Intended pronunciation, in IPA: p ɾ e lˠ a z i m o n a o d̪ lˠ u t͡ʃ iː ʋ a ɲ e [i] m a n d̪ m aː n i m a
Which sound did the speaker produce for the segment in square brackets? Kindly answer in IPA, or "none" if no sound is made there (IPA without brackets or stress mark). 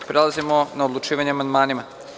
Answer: a